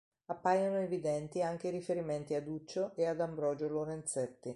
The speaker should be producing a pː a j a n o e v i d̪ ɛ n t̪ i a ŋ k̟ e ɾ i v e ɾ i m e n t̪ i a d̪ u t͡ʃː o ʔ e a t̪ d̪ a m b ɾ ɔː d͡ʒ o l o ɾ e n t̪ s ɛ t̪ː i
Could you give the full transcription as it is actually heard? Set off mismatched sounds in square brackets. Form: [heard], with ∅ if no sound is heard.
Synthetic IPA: a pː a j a n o e v i d̪ ɛ n t̪ i a ŋ k̟ e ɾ i [f] e ɾ i m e n t̪ i a d̪ u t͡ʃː o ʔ e a [∅] d̪ a m b ɾ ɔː d͡ʒ o l o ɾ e n t̪ s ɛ t̪ː i